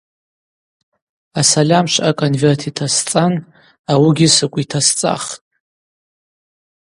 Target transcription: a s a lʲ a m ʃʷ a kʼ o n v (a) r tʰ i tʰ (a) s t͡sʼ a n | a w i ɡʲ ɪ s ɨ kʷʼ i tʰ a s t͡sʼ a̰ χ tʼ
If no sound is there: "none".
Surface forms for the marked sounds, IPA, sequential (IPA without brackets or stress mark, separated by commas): e, a